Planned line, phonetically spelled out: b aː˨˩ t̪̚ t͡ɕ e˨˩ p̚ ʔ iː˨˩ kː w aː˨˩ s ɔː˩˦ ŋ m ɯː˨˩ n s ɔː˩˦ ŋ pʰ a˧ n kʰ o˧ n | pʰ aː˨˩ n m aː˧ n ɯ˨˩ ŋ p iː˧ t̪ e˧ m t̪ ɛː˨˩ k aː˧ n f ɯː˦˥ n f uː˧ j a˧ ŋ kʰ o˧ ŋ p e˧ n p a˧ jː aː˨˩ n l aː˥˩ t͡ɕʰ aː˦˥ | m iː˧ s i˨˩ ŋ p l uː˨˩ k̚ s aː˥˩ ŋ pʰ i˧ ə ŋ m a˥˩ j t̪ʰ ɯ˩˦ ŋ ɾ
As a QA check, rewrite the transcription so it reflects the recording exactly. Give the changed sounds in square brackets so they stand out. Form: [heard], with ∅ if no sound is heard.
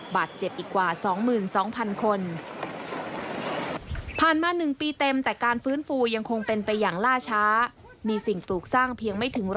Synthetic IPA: b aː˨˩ t̪̚ t͡ɕ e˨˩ p̚ ʔ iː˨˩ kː w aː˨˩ s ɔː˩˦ ŋ m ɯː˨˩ n s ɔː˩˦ ŋ pʰ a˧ n kʰ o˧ n | pʰ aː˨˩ n m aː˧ n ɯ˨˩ ŋ p iː˧ t̪ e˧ m t̪ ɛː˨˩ k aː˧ n f ɯː˦˥ n f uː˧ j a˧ ŋ kʰ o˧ ŋ p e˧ n p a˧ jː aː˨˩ [ŋ] l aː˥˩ t͡ɕʰ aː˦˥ | m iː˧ s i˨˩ ŋ p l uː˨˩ k̚ s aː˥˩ ŋ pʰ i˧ ə ŋ m a˥˩ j t̪ʰ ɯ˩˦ ŋ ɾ